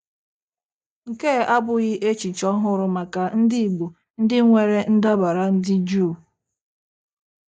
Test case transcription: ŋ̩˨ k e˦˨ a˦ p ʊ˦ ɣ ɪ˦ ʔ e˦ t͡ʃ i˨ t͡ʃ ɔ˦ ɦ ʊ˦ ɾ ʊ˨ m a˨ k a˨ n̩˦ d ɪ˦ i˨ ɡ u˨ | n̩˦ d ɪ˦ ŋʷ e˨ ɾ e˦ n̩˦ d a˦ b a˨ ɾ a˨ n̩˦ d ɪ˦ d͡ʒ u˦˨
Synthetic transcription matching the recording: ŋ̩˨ k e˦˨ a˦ b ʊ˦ ɣ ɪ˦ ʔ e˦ t͡ʃ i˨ t͡ʃ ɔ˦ ɦ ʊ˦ ɾ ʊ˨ m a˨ k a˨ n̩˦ d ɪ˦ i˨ ɡ͡b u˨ | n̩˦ d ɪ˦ ŋʷ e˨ ɾ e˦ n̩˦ d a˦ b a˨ ɾ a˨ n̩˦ d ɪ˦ d͡ʒ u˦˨